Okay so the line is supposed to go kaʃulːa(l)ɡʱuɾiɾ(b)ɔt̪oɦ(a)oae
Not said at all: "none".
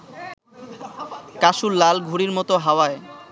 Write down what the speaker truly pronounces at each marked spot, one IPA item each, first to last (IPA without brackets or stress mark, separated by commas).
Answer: l, m, a